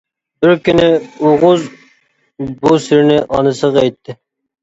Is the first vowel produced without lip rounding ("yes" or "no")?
yes